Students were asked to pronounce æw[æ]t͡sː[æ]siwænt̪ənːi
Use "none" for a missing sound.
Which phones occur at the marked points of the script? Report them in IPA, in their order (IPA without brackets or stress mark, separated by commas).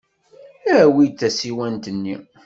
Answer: i, æ